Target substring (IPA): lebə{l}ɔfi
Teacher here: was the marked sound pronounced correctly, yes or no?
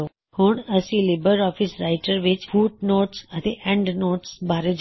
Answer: no